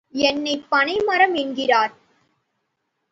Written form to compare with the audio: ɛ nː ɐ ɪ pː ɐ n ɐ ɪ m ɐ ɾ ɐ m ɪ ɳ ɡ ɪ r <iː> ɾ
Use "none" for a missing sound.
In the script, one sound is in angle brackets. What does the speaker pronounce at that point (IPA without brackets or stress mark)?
aː